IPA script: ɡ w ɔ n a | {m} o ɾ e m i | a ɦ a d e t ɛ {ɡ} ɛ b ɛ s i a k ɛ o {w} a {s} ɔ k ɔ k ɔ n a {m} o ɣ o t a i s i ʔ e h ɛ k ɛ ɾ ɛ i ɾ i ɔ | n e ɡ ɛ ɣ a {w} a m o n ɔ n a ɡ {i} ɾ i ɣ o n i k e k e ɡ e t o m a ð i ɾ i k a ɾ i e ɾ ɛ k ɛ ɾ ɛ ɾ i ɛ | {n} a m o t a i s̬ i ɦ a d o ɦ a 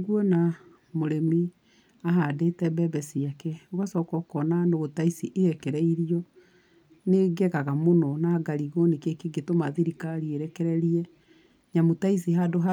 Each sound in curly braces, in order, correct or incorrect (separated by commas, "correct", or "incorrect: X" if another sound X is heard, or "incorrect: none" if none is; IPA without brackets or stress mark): correct, incorrect: b, incorrect: ɣ, correct, incorrect: n, incorrect: ɣ, incorrect: a, incorrect: ɲ